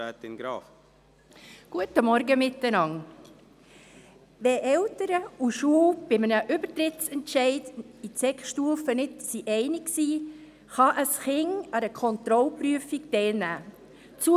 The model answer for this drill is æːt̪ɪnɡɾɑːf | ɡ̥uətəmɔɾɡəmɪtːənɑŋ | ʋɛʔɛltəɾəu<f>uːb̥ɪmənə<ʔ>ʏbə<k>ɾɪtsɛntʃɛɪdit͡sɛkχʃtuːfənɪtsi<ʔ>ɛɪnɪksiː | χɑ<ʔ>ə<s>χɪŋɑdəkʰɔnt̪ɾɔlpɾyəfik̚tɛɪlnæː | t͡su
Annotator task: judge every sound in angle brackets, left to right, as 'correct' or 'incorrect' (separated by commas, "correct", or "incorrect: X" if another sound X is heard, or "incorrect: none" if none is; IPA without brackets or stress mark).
incorrect: ʃ, correct, incorrect: t, correct, correct, correct